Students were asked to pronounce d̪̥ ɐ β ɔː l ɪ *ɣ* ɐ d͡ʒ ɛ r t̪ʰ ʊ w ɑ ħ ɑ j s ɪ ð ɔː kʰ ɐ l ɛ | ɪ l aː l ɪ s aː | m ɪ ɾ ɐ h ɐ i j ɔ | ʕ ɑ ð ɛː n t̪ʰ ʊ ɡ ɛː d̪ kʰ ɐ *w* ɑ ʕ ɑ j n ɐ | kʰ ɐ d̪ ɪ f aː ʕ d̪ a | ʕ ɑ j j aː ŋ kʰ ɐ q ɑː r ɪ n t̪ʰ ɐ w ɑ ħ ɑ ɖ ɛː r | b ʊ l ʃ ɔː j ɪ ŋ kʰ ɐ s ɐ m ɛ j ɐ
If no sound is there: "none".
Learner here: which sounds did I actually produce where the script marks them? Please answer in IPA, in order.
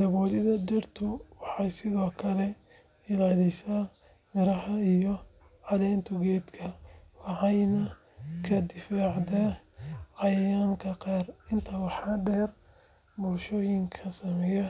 ð, w

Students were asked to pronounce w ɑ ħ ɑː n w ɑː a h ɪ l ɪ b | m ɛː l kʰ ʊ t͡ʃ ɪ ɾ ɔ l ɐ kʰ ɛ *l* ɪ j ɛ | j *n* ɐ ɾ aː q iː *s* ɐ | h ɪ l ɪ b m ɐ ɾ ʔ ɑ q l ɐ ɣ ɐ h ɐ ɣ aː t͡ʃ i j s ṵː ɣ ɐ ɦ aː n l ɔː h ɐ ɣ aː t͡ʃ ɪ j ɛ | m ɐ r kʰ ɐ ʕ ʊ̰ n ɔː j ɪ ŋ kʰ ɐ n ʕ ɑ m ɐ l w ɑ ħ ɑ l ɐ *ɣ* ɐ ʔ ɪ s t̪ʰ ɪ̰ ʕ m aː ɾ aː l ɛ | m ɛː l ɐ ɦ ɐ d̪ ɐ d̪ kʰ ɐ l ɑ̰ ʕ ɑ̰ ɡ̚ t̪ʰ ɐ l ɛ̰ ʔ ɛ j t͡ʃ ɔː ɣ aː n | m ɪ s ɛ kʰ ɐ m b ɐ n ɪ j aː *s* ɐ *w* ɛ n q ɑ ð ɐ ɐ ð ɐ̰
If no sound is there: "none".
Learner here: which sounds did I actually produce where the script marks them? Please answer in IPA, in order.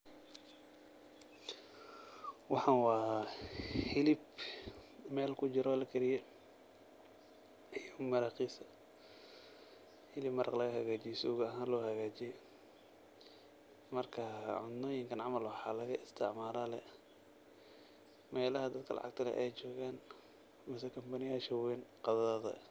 ɾ, m, s, ɣ, ʃ, w

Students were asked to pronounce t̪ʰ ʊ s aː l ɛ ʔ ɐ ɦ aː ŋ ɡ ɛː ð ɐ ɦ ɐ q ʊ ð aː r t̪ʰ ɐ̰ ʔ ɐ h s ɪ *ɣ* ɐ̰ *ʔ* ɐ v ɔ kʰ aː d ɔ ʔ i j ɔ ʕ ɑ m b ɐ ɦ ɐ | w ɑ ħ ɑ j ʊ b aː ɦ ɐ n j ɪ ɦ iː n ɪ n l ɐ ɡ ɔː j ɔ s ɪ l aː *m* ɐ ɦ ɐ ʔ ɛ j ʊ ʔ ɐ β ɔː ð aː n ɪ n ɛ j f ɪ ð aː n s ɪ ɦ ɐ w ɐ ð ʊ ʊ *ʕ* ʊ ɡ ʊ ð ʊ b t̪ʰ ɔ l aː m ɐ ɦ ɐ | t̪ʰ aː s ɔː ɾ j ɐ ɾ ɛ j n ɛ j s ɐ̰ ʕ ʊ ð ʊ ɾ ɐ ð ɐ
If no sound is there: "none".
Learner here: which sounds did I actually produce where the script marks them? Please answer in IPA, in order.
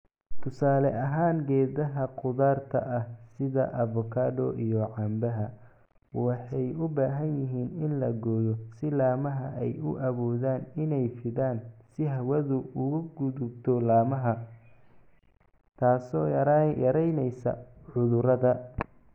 ð, ʔ, m, ɣ

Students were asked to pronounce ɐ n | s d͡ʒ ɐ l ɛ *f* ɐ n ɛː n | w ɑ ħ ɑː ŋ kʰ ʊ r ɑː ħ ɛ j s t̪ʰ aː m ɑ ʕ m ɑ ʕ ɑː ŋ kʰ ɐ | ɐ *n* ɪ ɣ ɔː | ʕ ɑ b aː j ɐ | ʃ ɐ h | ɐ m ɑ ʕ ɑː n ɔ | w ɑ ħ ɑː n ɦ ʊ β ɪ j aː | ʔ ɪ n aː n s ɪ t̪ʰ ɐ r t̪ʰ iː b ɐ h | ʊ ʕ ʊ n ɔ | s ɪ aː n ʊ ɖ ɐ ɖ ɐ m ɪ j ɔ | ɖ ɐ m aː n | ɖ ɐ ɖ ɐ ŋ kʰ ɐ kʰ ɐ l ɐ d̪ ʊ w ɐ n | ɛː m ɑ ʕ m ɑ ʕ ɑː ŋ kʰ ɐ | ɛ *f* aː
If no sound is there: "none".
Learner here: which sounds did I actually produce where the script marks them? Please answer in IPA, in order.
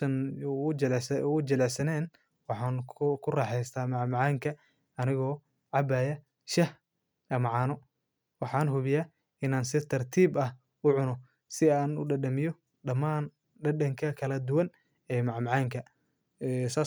s, n, s

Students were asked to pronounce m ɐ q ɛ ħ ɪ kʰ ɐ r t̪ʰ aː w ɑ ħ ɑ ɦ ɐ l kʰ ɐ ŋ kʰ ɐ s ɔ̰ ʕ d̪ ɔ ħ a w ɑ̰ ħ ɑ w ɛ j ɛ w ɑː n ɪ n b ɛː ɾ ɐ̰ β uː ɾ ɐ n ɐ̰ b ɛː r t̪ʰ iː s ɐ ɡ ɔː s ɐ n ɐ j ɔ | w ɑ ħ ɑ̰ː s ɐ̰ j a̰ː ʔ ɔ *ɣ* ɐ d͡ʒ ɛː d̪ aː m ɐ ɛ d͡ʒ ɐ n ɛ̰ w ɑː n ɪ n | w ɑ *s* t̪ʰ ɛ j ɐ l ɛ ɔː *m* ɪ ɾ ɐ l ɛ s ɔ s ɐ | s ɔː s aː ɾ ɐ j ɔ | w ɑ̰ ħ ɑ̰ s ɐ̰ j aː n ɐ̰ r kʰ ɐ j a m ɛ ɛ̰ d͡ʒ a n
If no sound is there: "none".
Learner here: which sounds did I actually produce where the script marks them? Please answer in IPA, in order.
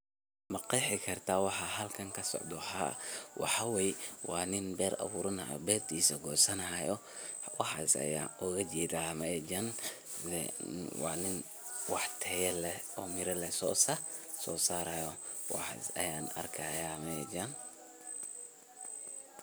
ɣ, ħ, m

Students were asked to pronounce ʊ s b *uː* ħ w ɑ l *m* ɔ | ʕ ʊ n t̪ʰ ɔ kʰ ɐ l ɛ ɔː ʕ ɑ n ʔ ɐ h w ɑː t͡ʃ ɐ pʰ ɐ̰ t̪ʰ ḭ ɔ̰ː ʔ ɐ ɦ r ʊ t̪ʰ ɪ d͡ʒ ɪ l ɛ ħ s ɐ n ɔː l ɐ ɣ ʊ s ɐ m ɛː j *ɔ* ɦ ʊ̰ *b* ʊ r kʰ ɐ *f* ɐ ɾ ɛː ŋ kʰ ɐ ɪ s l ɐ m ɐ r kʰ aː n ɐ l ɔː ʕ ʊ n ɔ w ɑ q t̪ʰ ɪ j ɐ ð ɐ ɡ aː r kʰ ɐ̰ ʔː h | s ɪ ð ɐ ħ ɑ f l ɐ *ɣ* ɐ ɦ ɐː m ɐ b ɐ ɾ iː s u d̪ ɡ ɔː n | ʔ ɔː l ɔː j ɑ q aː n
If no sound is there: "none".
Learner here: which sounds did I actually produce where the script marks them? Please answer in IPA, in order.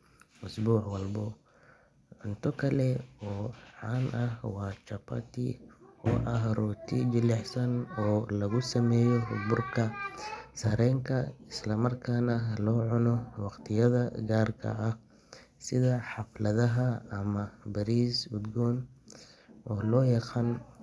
uː, b, ɔ, b, s, ð

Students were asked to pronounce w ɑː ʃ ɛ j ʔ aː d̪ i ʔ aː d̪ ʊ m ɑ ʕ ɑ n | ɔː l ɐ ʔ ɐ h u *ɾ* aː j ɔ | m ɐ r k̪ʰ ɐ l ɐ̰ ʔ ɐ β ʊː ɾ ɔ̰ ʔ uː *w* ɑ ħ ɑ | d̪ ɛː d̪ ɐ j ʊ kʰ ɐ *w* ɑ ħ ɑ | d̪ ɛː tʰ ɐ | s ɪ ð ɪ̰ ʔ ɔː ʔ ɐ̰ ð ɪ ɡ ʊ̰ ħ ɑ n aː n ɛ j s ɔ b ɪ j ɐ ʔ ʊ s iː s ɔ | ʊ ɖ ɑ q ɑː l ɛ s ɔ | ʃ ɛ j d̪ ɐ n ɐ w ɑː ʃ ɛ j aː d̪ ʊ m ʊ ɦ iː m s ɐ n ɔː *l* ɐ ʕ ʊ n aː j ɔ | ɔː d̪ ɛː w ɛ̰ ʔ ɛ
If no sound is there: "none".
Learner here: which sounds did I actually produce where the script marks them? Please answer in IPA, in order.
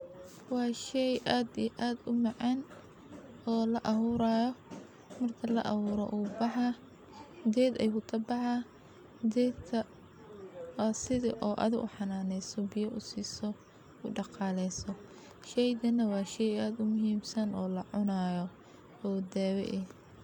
ɾ, b, b, l

